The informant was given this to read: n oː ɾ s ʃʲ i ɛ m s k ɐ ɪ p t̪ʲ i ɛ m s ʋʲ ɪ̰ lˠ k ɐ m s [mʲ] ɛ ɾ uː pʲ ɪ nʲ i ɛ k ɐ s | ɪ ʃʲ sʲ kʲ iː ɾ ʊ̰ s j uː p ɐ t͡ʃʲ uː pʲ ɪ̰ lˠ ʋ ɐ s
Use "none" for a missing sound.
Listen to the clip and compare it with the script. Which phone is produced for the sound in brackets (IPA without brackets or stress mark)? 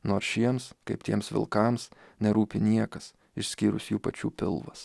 nʲ